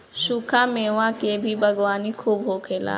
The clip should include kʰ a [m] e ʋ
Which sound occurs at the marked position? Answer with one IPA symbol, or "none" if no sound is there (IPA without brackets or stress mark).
m